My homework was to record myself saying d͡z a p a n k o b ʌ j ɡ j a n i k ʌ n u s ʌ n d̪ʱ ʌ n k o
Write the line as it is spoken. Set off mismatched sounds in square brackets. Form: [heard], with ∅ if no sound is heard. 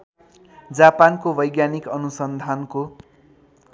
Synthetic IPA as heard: d͡z a p a n k o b ʌ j ɡ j a n i k ʌ n u s ʌ n d̪ʱ [a] n k o